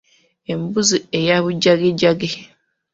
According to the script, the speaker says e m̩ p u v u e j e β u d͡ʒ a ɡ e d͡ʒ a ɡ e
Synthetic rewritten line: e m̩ b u z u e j a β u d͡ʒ a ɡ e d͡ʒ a ɡ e